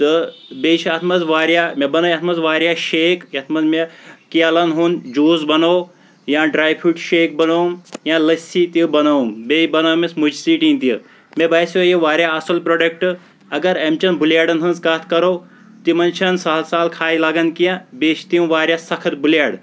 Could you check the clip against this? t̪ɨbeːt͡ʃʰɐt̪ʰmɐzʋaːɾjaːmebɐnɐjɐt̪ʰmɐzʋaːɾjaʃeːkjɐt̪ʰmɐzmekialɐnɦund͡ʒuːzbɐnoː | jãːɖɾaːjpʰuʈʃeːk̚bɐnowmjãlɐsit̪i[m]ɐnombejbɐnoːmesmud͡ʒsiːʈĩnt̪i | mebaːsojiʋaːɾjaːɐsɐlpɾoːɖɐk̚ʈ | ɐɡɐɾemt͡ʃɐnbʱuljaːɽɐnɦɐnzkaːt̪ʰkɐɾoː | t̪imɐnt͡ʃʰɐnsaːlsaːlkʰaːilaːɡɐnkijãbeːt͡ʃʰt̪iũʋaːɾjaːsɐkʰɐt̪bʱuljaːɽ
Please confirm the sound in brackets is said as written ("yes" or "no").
no